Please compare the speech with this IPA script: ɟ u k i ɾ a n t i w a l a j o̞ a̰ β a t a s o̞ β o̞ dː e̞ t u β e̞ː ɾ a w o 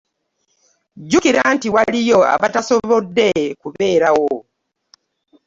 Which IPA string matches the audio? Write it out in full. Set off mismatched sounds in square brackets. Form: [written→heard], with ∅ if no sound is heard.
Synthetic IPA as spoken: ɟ u k i ɾ a n t i w a l [a→i] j o̞ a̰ β a t a s o̞ β o̞ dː e̞ [t→k] u β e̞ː ɾ a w o